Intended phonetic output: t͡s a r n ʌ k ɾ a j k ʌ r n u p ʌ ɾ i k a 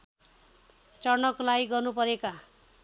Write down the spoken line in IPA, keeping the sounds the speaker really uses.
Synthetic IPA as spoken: t͡s ʌ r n ʌ k l a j ɡ ʌ r n u p ʌ ɾ e k a